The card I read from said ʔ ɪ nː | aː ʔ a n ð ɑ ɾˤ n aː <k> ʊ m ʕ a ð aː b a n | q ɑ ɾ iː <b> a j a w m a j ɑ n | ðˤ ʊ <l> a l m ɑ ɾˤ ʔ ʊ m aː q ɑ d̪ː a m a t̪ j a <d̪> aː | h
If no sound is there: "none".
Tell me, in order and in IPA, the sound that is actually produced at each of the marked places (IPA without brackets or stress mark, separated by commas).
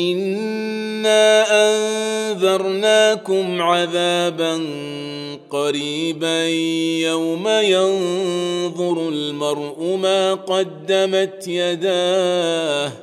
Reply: k, b, ɾ, d̪